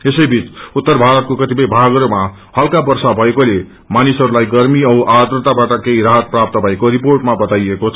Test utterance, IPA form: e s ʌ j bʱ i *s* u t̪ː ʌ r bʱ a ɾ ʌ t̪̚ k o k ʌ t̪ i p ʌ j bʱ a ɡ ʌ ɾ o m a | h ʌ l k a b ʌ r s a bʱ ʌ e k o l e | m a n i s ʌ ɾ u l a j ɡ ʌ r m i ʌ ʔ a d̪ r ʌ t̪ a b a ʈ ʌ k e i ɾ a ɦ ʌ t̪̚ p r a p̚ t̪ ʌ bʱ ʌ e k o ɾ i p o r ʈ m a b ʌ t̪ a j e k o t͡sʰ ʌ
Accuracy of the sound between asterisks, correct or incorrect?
incorrect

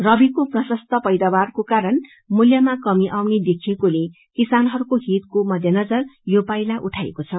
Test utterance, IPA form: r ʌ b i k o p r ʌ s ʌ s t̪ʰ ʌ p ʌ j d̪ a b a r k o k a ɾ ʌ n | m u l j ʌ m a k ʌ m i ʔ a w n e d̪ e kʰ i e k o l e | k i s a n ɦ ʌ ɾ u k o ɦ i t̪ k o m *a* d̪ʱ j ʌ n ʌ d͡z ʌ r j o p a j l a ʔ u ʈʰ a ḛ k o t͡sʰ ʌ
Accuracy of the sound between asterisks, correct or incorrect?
incorrect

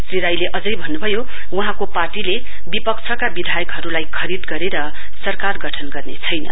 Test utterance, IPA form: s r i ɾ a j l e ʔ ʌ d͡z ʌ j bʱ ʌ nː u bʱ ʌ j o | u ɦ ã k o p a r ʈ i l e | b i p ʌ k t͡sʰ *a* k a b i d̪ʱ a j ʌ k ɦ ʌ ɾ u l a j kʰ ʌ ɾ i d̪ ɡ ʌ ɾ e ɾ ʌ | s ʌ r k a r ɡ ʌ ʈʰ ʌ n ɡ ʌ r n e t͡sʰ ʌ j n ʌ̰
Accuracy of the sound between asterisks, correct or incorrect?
incorrect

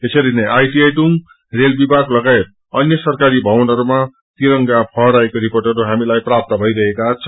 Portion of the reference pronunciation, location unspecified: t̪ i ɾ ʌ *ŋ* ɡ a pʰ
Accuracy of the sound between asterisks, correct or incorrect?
correct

